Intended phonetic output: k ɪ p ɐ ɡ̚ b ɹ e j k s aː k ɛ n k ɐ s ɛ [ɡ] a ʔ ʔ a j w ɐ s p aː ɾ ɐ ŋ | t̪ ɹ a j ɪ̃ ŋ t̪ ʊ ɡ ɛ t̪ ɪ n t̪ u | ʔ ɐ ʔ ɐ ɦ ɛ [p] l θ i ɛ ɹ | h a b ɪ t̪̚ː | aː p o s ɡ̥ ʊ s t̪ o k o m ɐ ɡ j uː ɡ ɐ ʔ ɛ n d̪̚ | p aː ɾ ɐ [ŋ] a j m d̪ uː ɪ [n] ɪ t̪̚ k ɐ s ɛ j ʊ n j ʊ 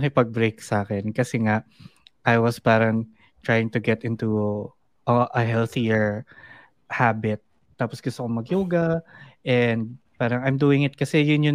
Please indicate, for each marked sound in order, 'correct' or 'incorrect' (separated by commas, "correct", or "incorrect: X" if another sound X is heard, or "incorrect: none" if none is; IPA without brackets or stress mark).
incorrect: ŋ, incorrect: none, correct, incorrect: ŋ